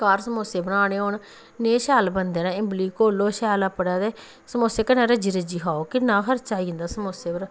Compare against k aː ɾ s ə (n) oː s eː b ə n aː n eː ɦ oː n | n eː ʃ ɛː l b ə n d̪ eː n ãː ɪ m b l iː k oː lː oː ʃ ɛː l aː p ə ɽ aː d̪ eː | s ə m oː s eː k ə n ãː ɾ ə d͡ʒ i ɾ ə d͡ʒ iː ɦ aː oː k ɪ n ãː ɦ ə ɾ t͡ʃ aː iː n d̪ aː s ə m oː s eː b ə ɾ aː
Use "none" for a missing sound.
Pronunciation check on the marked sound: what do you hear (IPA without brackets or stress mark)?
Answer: m